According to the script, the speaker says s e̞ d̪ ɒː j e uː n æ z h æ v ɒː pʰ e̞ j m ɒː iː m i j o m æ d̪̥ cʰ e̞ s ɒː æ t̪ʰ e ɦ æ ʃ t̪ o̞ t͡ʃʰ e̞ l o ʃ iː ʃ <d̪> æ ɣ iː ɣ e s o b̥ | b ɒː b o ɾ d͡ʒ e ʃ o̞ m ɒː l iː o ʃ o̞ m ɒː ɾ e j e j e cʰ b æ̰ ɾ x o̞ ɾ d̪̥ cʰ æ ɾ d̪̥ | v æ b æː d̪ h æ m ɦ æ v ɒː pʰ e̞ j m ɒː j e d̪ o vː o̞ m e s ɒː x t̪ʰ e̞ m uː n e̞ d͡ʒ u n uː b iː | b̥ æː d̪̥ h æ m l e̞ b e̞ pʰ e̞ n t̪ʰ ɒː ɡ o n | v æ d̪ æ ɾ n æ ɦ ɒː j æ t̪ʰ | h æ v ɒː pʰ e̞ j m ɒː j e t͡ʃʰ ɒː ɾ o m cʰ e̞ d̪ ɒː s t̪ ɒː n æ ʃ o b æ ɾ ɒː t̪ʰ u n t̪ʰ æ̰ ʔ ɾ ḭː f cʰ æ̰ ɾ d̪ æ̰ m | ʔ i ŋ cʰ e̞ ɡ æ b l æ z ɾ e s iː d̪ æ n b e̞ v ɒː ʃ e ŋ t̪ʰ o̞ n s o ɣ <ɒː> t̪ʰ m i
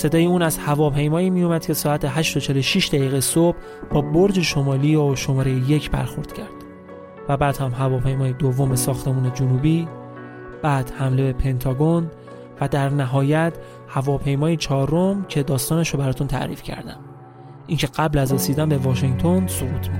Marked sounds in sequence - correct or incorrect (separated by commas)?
correct, incorrect